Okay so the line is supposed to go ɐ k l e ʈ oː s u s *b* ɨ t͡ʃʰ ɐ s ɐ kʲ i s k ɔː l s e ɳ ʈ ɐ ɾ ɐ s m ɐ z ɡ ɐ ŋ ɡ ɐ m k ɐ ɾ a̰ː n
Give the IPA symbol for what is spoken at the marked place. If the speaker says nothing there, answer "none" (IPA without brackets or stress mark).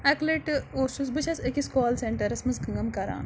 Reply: b